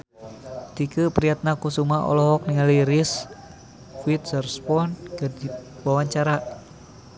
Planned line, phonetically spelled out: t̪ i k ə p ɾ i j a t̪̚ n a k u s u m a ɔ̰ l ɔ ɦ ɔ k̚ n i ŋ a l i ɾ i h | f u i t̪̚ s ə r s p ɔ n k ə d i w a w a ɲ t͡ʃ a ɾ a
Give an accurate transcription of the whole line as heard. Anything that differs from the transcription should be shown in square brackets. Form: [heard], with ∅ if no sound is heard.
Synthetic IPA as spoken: t̪ i k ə p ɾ i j a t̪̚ n a k u s u m a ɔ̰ l ɔ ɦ ɔ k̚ n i ŋ a l i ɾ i [s] | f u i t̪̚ s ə r s p ɔ n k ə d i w a w a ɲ t͡ʃ a ɾ a